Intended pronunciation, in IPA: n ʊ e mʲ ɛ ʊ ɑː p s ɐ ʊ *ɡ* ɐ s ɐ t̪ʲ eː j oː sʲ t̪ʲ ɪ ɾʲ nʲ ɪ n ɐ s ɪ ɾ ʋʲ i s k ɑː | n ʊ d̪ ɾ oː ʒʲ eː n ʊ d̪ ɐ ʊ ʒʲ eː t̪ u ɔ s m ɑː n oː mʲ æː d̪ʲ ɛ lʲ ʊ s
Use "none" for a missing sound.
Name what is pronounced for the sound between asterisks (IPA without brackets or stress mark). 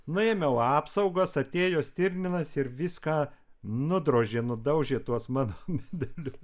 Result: ɡ